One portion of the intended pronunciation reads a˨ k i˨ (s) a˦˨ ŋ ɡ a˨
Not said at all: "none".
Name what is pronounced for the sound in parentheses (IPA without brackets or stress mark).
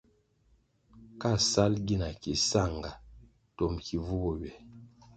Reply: s